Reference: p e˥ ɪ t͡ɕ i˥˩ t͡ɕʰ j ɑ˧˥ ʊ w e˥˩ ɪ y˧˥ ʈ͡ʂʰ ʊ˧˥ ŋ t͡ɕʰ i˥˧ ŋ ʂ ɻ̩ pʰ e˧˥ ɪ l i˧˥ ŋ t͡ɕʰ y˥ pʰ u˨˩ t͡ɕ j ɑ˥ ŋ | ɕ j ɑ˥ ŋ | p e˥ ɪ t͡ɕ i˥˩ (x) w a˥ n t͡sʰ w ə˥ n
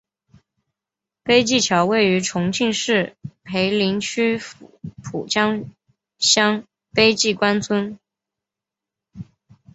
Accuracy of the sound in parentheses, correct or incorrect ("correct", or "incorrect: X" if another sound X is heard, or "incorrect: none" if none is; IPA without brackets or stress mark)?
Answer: incorrect: k